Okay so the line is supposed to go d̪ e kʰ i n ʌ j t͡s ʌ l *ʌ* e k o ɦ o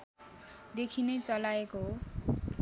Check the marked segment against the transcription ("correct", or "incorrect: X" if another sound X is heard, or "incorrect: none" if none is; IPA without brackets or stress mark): incorrect: a